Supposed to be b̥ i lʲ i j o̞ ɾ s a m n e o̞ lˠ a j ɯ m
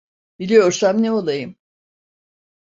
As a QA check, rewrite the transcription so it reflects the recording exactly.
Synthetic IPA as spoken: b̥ i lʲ i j o̞ ɾ s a m n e o̞ lˠ a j ɯ m

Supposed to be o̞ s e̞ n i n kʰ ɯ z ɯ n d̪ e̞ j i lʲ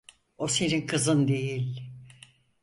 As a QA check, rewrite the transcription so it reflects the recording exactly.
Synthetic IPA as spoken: o̞ s e̞ n i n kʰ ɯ z ɯ n d̪ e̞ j i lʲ

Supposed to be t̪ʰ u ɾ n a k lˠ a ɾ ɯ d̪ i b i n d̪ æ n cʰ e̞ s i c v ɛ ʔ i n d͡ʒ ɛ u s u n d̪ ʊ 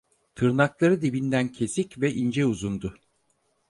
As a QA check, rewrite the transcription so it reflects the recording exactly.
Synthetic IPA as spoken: t̪ʰ ɯ ɾ n a k lˠ a ɾ ɯ d̪ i b i n d̪ æ n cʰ e̞ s i c v ɛ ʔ i n d͡ʒ ɛ u z u n d̪ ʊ

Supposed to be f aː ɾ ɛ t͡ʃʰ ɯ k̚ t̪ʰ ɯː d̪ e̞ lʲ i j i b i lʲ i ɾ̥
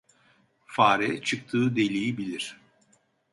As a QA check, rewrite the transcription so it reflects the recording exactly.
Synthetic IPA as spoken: f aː ɾ ɛ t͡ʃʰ ɯ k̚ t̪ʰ ɯː d̪ e̞ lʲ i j i b i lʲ i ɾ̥

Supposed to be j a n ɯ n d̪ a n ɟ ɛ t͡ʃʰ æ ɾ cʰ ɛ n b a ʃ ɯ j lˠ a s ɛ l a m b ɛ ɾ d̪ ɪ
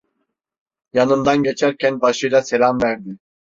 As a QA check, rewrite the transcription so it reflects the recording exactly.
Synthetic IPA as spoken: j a n ɯ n d̪ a n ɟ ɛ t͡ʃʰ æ ɾ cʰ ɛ n b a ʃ ɯ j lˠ a s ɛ l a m v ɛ ɾ d̪ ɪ

